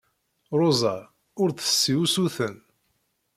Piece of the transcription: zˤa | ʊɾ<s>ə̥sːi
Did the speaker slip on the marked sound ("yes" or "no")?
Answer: yes